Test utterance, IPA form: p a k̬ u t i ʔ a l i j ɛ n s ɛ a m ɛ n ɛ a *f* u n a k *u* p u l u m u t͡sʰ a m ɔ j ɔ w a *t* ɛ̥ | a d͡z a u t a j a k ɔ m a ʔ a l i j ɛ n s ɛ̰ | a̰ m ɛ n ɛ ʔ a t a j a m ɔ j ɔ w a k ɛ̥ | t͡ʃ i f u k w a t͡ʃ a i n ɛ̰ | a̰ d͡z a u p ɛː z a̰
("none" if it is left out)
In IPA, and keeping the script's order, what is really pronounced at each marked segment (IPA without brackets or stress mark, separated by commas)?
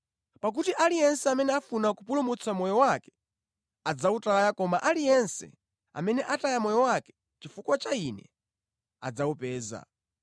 f, u, k